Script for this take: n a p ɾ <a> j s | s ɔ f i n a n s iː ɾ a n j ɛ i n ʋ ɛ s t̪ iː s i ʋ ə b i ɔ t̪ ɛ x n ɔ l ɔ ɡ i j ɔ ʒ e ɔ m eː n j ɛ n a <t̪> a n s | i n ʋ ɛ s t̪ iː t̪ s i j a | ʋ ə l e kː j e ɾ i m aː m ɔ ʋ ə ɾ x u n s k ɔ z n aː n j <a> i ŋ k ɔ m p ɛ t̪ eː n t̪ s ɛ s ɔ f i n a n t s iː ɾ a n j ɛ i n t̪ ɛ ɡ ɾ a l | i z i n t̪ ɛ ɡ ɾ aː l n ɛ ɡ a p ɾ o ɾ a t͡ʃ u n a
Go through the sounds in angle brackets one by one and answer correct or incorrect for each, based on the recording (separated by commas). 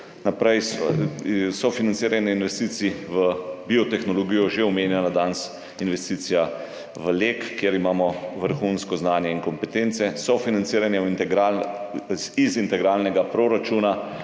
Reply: incorrect, incorrect, incorrect